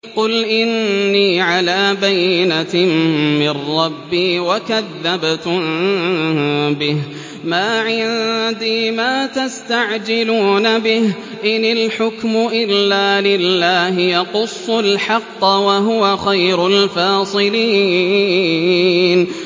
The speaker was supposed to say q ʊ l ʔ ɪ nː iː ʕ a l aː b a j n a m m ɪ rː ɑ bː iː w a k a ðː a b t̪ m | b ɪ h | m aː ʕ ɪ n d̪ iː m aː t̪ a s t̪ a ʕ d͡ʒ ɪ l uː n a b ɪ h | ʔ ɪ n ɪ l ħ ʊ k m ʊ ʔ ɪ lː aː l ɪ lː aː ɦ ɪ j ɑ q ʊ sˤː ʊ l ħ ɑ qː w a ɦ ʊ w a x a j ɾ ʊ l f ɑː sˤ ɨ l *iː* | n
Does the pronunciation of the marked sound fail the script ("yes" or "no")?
no